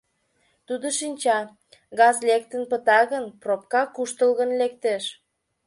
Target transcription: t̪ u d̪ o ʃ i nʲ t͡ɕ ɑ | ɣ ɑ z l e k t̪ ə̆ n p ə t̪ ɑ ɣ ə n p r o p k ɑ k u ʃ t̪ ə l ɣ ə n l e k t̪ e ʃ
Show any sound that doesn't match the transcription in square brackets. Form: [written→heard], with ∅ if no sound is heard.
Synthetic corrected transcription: t̪ u d̪ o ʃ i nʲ t͡ɕ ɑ | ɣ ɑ z l e k t̪ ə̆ n p ə t̪ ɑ ɣ ə n p r o p k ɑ k u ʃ t̪ ə l ɣ ə n l e k t̪ e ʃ

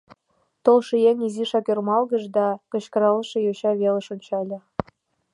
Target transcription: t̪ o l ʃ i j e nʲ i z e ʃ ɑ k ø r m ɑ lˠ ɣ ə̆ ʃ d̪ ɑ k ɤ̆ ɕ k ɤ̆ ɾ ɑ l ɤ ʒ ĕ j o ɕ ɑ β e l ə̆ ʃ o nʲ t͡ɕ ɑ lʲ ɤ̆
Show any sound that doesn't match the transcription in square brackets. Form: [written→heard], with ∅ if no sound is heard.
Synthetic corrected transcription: t̪ o l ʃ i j e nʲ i z [e→i] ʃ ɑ k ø r m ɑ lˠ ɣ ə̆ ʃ d̪ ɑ k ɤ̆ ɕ k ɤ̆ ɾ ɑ l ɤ [ʒ→ʃ] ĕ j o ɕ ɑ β e l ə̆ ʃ o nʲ t͡ɕ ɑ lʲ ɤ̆

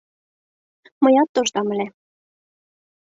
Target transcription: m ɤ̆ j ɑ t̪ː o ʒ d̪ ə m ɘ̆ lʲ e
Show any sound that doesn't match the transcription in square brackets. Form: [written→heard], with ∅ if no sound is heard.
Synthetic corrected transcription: m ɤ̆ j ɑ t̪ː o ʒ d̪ [ə→ɑ] m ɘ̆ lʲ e

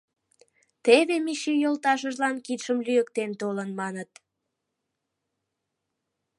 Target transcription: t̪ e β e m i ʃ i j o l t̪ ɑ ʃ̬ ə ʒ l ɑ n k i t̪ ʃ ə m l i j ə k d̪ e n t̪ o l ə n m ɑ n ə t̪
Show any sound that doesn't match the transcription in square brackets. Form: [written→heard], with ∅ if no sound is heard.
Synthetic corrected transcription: t̪ e β e m i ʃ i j o l t̪ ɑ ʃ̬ ə ʒ l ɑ n k i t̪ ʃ ə m l [i→y] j ə k [d̪→t̪] e n t̪ o l ə n m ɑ n ə t̪

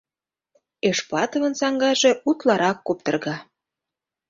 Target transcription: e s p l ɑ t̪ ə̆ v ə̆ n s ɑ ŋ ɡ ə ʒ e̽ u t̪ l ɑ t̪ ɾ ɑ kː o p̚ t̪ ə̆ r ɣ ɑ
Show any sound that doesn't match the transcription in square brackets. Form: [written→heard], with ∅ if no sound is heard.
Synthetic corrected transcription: e [s→ʃ] p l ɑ t̪ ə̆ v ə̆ n s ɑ ŋ ɡ [ə→ɑ] ʒ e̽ u t̪ l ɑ [t̪→∅] ɾ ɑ kː o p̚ t̪ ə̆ r ɣ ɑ

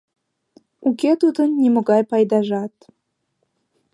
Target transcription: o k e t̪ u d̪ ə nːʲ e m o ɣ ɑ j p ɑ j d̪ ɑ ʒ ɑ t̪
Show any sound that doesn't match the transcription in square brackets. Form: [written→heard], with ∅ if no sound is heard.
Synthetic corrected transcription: [o→u] k e t̪ u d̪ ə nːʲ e m o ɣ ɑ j p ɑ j d̪ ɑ ʒ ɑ t̪

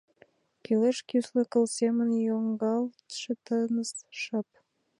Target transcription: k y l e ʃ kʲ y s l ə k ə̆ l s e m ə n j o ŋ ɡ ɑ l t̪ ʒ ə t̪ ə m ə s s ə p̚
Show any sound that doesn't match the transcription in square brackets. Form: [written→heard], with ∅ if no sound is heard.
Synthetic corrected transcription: k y l e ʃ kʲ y s l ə k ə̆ l s e m ə n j o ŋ ɡ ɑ l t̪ [ʒ→ʃ] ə t̪ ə [m→n] ə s [s→ʃ] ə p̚

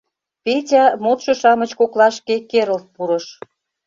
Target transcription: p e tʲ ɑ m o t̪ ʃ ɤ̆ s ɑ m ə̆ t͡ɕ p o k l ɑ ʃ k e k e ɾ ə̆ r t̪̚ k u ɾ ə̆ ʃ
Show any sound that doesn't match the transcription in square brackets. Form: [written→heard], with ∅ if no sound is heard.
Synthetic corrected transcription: p e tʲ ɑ m o t̪ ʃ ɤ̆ [s→ʃ] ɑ m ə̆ t͡ɕ [p→k] o k l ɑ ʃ k e k e ɾ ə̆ [r→l] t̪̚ [k→p] u ɾ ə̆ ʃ

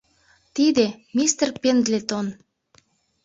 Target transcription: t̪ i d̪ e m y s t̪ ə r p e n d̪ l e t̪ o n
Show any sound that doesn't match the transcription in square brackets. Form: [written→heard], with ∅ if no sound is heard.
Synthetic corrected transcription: t̪ i d̪ e m [y→i] s t̪ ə r p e n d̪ l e t̪ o n

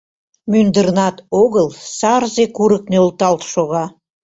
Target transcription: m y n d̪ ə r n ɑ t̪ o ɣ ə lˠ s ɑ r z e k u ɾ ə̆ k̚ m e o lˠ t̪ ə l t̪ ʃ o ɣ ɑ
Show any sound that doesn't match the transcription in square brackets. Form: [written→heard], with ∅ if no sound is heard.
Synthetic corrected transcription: m y n d̪ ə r n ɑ t̪ o ɣ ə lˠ s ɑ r z e k u ɾ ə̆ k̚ [m→n] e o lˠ t̪ [ə→ɑ] l t̪ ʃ o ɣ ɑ

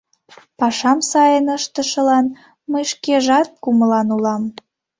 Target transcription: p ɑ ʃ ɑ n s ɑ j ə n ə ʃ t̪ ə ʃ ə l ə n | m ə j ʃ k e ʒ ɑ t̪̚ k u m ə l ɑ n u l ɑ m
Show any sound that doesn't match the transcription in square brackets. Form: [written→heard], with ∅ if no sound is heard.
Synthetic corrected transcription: p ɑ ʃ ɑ [n→m] s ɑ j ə n ə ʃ t̪ ə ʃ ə l [ə→ɑ] n | m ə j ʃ k e ʒ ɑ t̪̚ k u m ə l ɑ n u l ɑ m

